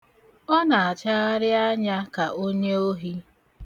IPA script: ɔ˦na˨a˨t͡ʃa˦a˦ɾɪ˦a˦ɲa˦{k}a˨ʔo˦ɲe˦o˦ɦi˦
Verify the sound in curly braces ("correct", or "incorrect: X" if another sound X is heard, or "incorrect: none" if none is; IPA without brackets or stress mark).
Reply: correct